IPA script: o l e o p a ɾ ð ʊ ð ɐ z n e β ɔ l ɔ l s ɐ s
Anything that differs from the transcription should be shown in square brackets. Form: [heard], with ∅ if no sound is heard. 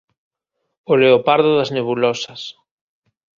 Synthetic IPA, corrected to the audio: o l e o p a ɾ ð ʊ ð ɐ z n e β [u] l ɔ [∅] s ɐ s